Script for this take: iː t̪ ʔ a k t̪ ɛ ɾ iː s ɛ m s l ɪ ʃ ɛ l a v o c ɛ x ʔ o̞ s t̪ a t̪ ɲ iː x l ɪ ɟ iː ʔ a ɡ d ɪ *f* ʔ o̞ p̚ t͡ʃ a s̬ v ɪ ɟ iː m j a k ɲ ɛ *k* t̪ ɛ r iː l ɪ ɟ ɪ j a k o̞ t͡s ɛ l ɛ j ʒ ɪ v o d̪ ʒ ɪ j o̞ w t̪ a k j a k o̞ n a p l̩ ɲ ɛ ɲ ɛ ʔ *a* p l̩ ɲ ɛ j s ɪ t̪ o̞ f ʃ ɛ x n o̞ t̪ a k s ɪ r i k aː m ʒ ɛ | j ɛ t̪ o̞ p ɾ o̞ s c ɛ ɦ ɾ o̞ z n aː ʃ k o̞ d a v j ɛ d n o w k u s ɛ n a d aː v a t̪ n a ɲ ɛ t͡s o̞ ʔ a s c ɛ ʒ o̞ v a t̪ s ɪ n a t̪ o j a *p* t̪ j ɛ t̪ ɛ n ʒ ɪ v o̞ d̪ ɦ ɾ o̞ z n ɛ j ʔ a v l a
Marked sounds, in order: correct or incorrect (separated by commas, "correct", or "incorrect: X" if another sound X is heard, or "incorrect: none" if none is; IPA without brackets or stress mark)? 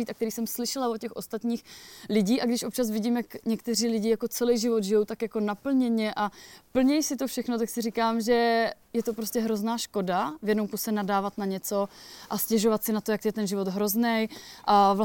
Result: incorrect: ʃ, correct, correct, incorrect: k